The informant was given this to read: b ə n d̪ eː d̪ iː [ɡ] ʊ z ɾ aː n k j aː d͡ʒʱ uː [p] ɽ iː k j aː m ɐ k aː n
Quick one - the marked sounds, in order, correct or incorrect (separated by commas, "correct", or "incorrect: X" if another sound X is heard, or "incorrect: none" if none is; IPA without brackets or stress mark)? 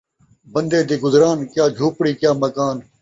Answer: correct, correct